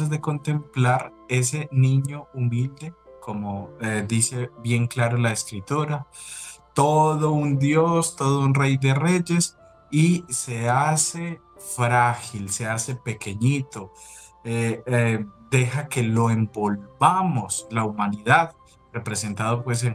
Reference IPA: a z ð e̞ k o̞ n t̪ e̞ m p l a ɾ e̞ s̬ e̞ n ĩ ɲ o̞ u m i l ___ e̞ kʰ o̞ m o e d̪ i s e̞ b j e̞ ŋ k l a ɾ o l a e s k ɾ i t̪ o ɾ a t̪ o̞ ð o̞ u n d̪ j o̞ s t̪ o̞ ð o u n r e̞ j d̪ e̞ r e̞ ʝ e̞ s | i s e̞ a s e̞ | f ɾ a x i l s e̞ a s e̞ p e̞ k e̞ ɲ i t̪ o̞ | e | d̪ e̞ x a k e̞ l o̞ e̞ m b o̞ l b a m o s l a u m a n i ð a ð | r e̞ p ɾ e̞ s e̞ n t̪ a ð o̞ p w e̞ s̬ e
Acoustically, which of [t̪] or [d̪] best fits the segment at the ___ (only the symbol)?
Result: d̪